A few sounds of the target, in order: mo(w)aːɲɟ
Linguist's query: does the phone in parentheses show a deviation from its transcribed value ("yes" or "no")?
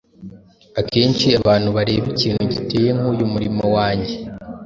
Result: no